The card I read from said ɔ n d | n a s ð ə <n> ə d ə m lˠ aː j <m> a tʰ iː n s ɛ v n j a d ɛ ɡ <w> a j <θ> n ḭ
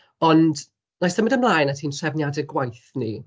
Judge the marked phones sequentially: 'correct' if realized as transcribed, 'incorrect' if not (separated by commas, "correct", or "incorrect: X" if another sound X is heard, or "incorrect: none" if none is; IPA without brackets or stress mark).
incorrect: m, incorrect: n, correct, correct